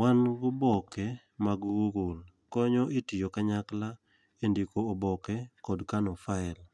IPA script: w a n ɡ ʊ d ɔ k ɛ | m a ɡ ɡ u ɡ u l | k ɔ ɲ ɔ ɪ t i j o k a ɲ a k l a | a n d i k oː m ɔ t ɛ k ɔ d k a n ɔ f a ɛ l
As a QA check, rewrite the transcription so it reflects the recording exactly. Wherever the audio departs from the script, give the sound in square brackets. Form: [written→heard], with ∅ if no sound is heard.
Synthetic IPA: w a n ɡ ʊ [d→b] ɔ k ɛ | m a ɡ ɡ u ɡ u l | k ɔ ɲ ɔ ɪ t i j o k a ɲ a k l a | [a→e] n d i k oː [m→b] ɔ [t→k] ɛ k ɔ d k a n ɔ f a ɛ l